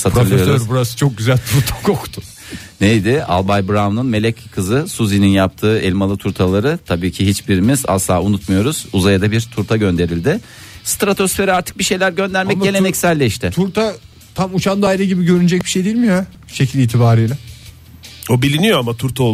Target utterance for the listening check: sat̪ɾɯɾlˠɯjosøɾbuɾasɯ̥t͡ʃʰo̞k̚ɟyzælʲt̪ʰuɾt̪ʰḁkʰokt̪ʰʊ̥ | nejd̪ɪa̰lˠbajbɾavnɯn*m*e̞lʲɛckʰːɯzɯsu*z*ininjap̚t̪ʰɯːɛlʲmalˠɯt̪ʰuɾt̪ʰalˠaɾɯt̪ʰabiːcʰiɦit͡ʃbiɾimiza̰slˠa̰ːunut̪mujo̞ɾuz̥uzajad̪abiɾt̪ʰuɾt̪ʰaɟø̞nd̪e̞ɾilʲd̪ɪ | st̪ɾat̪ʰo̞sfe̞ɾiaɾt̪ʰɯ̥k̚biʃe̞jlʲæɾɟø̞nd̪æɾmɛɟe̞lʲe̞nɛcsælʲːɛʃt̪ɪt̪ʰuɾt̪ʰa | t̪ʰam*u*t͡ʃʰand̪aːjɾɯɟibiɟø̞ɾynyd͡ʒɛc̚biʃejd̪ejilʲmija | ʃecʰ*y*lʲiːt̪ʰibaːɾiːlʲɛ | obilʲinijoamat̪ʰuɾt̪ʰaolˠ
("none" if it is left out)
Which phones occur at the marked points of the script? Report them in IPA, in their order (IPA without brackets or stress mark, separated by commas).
m, z, u, i